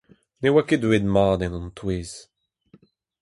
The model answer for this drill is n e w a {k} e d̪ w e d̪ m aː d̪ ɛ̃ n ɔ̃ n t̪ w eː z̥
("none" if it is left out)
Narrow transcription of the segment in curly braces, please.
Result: k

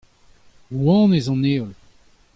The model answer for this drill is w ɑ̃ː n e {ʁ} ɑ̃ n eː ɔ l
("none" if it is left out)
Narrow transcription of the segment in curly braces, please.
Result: z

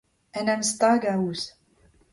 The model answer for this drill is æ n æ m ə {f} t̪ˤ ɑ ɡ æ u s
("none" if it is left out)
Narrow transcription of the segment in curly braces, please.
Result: s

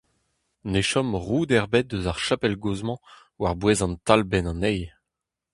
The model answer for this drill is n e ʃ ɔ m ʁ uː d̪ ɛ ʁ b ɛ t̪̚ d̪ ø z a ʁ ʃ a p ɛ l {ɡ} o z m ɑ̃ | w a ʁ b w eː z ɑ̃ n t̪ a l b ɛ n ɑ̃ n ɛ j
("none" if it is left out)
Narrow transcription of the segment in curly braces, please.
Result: ɡ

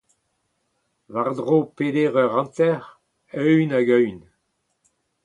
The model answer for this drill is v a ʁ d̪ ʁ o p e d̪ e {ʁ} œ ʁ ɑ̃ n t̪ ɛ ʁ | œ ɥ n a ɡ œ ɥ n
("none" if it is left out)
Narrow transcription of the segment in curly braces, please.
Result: ʁ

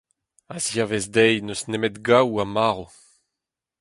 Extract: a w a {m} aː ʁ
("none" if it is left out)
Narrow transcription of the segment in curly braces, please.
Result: m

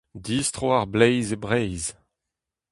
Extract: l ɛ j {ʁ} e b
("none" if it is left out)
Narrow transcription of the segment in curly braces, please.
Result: z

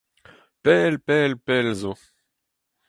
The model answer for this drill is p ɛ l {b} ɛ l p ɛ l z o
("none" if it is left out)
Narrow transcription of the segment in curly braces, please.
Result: p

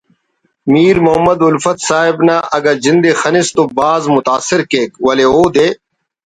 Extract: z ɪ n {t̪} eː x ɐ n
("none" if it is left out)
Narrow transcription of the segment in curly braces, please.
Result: d̪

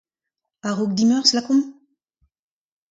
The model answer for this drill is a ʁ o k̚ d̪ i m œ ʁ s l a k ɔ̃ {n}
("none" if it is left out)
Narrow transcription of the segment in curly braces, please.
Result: m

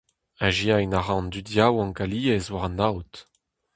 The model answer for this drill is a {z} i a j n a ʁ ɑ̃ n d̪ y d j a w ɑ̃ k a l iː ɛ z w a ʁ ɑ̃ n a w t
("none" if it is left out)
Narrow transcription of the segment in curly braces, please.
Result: ʒ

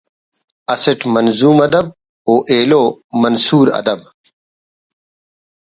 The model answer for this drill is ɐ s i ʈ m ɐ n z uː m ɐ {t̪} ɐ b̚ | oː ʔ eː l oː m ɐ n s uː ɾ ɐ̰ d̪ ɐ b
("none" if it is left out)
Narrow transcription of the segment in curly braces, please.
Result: d̪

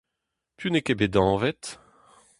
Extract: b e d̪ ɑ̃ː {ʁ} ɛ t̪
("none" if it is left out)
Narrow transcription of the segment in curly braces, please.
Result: v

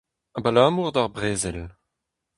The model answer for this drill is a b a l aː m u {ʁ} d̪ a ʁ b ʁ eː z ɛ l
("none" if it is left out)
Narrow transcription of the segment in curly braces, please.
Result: ʁ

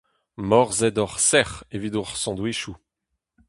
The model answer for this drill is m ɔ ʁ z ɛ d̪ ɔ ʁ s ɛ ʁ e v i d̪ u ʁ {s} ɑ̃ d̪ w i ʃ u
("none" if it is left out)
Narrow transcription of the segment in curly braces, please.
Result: s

